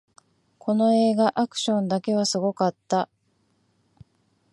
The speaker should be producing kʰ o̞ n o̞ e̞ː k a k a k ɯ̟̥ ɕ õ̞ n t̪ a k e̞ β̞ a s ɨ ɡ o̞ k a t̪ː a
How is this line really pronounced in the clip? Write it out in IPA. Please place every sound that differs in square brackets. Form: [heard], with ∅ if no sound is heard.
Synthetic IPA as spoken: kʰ o̞ n o̞ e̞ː [ɡ] a [ʔ] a k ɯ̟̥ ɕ õ̞ n [d̪] a k e̞ β̞ a s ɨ ɡ o̞ k a t̪ː a